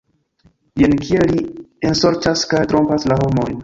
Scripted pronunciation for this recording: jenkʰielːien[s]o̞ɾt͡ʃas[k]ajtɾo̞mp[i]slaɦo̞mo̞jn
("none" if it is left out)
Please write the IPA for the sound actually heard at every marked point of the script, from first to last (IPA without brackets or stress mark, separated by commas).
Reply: s, k, a